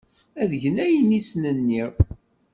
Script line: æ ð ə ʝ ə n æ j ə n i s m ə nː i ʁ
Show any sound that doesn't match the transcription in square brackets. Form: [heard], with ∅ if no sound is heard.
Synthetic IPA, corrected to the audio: æ ð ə ʝ ə n æ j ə n i s [n] ə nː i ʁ